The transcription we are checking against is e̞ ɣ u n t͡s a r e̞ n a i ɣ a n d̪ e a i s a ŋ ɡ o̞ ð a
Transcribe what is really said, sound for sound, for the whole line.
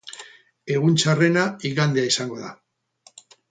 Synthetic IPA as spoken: e̞ ɣ u n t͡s a r e̞ n a i ɣ a n d̪ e a i s a ŋ ɡ o̞ ð a